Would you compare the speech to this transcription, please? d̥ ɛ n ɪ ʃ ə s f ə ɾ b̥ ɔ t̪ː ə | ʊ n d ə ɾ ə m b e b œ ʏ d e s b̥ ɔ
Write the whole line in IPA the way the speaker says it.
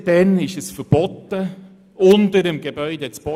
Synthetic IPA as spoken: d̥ ɛ n ɪ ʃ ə s f ə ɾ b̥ ɔ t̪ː ə | ʊ n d ə ɾ ə m ɡ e b œ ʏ d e t͡s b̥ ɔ